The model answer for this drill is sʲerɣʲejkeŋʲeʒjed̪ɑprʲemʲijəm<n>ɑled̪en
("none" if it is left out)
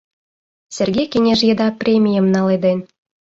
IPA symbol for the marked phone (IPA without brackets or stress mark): n